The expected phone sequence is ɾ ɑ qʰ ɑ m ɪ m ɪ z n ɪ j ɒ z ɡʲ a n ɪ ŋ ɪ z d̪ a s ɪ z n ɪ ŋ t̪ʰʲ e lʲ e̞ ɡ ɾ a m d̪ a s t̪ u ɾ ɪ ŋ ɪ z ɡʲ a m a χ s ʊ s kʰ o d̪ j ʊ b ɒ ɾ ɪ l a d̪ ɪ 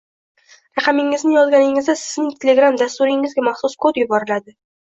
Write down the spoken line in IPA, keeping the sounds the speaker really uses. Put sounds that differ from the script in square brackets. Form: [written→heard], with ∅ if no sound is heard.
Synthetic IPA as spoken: ɾ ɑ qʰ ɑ m ɪ [m→ŋ] ɪ z n ɪ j ɒ z ɡʲ a n ɪ ŋ ɪ z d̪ a s ɪ z n ɪ ŋ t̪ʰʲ e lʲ e̞ ɡ ɾ a m d̪ a s t̪ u ɾ ɪ ŋ ɪ z ɡʲ a m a χ s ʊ s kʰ o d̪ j ʊ b ɒ ɾ ɪ l a d̪ ɪ

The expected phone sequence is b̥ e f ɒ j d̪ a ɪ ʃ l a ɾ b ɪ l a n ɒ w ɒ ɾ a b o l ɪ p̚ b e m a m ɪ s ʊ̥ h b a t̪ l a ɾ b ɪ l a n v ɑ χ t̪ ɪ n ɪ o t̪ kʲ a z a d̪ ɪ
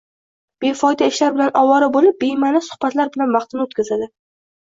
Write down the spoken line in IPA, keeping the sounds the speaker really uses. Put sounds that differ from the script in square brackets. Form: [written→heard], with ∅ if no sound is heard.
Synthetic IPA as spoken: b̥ e f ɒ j d̪ a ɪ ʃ l a ɾ b ɪ l a n ɒ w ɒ ɾ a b o l ɪ p̚ b e m a [m→n] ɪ s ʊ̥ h b a t̪ l a ɾ b ɪ l a n v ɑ χ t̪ ɪ n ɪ o t̪ kʲ a z a d̪ ɪ

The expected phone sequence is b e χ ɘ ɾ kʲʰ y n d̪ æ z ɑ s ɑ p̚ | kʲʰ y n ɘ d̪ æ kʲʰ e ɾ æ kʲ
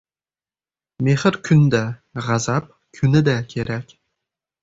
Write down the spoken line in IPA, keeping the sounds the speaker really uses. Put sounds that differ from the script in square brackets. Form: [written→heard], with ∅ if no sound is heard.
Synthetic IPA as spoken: [b→m] e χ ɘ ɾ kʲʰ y n d̪ æ [z→ʁ] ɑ [s→z] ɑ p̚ | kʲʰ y n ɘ d̪ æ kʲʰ e ɾ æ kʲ

